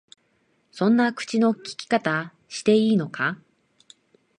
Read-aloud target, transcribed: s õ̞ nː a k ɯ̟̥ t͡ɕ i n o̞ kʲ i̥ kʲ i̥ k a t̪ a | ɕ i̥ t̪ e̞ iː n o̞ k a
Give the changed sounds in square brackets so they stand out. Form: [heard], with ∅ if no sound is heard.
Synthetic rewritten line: s õ̞ nː a k ɯ̟̥ t͡ɕ i n o̞ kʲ i̥ kʲ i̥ k a t̪ a | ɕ i̥ t̪ e̞ iː n o̞ k a

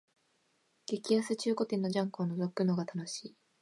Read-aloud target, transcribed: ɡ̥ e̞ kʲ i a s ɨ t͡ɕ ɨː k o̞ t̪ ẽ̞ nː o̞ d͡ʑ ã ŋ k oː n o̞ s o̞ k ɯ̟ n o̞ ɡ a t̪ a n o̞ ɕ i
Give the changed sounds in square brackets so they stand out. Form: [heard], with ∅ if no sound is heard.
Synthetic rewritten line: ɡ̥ e̞ kʲ i a s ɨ t͡ɕ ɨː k o̞ t̪ ẽ̞ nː o̞ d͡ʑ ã ŋ k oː n o̞ [z] o̞ k ɯ̟ n o̞ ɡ a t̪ a n o̞ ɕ [iː]

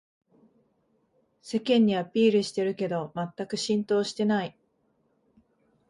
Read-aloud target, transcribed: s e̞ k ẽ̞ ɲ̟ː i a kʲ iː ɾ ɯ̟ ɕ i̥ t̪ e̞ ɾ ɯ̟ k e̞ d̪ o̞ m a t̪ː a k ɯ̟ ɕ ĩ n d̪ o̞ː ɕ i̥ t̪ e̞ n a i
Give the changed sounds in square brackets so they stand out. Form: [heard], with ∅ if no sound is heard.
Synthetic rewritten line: s e̞ k ẽ̞ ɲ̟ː i a [pʲ] iː ɾ ɯ̟ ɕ i̥ t̪ e̞ ɾ ɯ̟ k e̞ d̪ o̞ m a t̪ː a k ɯ̟ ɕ ĩ n [t̪] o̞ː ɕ i̥ t̪ e̞ n a i

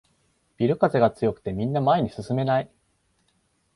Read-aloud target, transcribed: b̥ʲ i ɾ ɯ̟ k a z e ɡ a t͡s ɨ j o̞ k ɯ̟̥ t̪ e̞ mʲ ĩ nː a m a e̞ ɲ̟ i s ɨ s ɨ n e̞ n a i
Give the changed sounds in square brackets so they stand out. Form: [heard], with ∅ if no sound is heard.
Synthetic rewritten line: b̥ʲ i ɾ ɯ̟ k a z e ɡ a t͡s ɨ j o̞ k ɯ̟̥ t̪ e̞ mʲ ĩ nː a m a e̞ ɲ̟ i s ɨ s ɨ [m] e̞ n a i

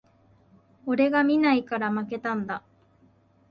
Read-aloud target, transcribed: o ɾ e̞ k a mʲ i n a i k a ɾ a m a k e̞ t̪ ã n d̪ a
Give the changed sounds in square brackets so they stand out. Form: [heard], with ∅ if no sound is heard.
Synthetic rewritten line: o ɾ e̞ [ɡ] a mʲ i n a i k a ɾ a m a k e̞ t̪ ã n d̪ a

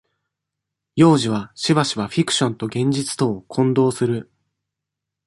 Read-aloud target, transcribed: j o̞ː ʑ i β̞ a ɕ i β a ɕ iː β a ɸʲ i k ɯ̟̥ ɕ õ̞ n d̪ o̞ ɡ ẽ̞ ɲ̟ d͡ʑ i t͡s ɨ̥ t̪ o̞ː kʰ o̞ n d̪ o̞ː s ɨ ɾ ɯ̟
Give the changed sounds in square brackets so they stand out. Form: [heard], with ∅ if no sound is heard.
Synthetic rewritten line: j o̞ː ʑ i β̞ a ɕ i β a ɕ [i] β a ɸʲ i k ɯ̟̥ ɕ õ̞ n [t̪] o̞ ɡ ẽ̞ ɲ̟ d͡ʑ i t͡s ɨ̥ t̪ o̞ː kʰ [õ̞] n d̪ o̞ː s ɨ ɾ ɯ̟

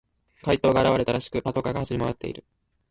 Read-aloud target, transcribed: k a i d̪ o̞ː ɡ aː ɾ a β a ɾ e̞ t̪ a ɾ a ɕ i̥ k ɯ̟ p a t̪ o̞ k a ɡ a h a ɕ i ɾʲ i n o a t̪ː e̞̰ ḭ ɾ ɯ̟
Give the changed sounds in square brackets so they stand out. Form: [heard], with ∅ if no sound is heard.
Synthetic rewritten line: k a i [t̪] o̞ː ɡ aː ɾ a β a ɾ e̞ t̪ a ɾ a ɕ i̥ k ɯ̟ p a t̪ o̞ k a ɡ a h a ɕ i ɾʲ i [m] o a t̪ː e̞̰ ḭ ɾ ɯ̟

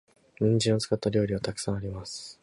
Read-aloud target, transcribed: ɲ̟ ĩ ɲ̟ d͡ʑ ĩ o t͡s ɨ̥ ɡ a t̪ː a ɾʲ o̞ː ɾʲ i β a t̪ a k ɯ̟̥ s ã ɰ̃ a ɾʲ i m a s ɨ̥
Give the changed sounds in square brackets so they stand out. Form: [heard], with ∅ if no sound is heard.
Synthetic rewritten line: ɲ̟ ĩ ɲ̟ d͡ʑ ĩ o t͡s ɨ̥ [k] a t̪ː a ɾʲ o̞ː ɾʲ i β a t̪ a k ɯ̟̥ s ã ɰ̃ a ɾʲ i m a s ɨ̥

